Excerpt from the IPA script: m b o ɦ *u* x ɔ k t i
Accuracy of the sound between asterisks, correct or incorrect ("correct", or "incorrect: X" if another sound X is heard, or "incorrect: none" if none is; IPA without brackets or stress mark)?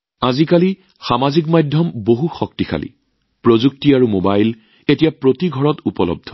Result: correct